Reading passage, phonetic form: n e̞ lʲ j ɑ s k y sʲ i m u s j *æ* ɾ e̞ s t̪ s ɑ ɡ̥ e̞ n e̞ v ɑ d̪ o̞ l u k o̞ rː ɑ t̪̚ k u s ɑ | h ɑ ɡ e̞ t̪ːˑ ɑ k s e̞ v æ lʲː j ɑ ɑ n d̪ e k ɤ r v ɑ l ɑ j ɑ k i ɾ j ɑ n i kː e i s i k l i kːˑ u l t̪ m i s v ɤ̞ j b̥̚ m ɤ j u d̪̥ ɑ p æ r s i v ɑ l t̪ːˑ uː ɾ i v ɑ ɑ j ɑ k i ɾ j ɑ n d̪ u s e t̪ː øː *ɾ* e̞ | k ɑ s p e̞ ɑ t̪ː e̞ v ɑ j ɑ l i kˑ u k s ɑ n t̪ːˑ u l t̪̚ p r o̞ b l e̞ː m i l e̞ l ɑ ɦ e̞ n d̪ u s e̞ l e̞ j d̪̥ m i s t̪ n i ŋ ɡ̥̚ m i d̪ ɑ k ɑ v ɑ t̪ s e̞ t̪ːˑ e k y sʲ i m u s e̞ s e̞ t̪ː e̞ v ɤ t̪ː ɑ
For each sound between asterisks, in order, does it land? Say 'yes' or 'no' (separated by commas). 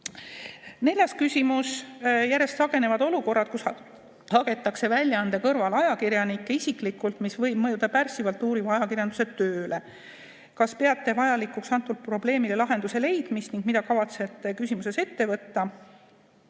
yes, no